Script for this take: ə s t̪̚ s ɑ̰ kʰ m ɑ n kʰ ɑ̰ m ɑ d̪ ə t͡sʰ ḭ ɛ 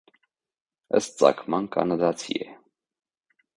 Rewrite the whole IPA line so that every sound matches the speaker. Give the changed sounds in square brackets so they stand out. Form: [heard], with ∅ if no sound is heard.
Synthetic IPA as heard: ə s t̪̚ [t͡s] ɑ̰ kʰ m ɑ n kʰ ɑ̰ [n] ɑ d̪ [ɑ] t͡sʰ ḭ ɛ